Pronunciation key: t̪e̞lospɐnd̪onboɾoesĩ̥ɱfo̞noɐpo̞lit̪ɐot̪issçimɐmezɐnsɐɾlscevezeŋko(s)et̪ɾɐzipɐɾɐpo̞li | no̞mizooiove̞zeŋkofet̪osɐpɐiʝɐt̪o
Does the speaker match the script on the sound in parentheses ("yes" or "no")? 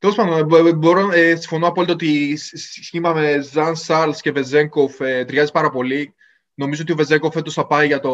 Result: no